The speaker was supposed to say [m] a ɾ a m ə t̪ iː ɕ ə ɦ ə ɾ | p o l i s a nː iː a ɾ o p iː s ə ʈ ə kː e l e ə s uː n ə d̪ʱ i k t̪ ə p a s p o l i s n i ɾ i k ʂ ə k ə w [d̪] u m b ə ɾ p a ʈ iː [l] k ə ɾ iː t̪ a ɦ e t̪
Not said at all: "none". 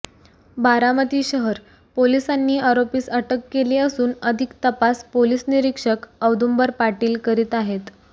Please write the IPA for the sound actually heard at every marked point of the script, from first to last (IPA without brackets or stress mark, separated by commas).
b, d̪, l